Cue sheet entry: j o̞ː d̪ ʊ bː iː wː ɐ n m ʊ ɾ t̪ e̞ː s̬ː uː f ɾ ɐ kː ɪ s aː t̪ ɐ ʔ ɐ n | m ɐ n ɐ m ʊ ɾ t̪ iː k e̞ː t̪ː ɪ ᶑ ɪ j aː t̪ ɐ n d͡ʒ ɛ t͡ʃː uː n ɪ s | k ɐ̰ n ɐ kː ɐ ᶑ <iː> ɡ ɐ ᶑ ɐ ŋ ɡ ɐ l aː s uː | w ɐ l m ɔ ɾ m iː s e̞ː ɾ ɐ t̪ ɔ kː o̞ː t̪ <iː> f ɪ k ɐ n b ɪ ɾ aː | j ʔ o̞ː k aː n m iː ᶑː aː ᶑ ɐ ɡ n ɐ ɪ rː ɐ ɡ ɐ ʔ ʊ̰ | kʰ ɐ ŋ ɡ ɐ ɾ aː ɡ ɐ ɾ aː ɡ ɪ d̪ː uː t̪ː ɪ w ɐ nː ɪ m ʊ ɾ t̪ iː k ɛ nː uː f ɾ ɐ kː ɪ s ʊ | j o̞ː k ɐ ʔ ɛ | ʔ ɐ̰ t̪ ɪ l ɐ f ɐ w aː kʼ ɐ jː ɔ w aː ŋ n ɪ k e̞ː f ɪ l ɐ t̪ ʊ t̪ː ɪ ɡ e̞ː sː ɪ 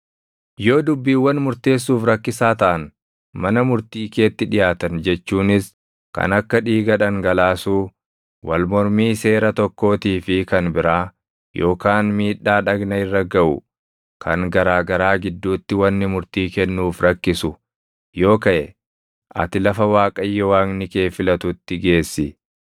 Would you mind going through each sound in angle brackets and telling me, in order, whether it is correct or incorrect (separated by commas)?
correct, correct